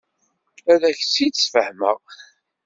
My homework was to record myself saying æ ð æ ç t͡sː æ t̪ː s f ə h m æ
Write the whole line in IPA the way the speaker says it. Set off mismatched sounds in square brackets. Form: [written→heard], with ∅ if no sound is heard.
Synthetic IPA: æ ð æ ç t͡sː [æ→i] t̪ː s f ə h m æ